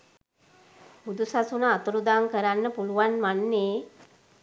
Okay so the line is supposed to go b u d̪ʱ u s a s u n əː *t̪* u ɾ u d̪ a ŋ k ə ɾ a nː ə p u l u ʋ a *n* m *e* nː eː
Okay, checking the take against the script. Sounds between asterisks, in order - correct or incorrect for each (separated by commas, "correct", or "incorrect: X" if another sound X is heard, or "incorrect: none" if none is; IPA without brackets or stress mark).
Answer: correct, correct, incorrect: a